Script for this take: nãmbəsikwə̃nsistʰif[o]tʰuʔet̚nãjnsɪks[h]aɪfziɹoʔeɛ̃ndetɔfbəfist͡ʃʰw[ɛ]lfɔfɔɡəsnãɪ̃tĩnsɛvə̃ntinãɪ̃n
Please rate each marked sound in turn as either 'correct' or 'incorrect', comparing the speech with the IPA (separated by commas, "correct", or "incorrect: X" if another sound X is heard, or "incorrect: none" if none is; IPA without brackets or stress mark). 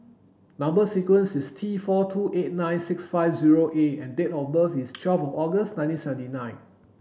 incorrect: ɔ, incorrect: f, correct